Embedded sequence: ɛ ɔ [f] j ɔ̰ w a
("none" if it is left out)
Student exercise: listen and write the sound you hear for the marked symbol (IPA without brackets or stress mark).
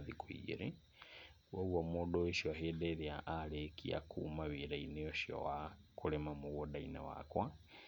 ʃ